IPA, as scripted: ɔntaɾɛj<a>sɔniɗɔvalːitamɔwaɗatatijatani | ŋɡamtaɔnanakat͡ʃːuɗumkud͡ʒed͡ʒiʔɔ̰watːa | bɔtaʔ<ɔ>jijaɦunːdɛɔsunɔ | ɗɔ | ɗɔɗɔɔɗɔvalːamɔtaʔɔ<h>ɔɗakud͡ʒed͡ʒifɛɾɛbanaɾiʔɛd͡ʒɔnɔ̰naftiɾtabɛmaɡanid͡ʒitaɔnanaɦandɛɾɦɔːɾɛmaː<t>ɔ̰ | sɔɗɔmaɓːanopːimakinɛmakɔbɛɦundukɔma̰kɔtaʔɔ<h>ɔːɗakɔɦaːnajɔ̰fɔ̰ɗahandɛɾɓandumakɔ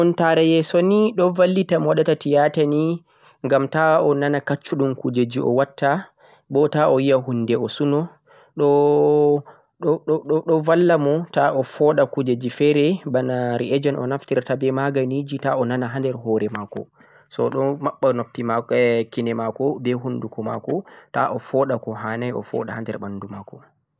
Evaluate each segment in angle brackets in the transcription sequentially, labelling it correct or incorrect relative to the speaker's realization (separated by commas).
incorrect, correct, incorrect, incorrect, incorrect